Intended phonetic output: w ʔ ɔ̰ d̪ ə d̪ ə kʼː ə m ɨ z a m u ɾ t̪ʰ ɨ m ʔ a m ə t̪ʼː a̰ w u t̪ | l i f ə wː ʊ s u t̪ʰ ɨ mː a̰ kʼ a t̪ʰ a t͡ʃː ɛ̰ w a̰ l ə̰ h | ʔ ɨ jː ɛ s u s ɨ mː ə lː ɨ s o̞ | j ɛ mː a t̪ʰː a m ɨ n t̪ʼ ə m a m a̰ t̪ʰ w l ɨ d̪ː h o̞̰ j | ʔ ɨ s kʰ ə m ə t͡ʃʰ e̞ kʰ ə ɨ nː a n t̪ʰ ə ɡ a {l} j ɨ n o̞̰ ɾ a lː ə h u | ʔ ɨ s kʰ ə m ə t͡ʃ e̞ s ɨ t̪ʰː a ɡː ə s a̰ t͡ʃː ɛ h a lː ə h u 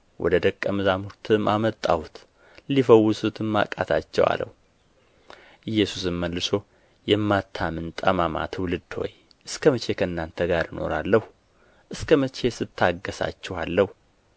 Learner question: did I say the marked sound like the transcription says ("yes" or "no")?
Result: no